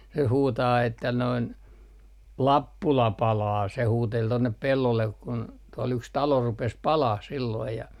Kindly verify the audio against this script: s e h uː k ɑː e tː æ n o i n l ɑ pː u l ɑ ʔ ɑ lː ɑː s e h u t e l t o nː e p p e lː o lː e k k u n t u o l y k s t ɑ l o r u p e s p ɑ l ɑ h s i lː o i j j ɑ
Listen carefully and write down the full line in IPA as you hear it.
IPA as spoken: s e h uː t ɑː e tː æ n o i n l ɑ pː u l ɑ p ɑ l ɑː s e h uː t e l t o nː e p p e lː o lː e k k u n t u o l y k s t ɑ l o r u p e s p ɑ l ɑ h s i lː o i j j ɑ